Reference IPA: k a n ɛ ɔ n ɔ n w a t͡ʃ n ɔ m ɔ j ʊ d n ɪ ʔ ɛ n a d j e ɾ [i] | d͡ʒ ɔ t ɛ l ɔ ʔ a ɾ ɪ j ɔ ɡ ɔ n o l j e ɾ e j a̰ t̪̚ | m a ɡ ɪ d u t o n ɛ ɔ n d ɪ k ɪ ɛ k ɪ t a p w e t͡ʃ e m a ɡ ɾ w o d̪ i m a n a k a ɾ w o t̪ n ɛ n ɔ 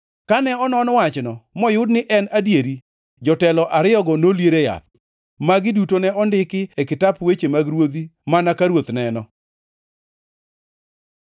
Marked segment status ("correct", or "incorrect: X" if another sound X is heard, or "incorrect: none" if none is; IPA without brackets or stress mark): correct